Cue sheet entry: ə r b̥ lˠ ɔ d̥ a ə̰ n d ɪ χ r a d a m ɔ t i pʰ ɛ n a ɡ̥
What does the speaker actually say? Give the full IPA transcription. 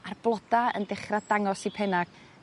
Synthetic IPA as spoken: a r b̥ lˠ ɔ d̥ a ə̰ n d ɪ χ r a d a ŋ ɔ s i pʰ ɛ n a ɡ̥